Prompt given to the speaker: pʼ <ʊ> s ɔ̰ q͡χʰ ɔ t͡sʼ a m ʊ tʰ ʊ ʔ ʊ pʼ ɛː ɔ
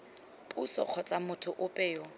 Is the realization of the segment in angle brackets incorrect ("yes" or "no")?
yes